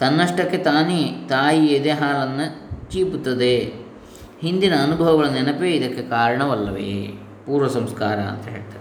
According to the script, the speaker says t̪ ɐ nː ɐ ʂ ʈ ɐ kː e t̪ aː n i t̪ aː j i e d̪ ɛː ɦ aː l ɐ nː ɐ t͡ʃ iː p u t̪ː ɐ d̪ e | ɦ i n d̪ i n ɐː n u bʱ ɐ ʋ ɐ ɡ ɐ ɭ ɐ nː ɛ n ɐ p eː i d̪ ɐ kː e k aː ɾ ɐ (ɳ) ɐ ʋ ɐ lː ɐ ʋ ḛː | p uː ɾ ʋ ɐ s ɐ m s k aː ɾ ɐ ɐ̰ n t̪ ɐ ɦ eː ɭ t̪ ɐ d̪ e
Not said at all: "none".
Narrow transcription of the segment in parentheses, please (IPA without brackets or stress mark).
ɳ